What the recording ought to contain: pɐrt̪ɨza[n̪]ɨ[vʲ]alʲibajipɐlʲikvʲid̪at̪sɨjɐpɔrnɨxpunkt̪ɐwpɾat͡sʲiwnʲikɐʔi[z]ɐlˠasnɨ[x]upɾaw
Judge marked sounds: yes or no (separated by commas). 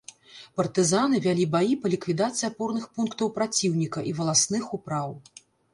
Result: yes, yes, no, yes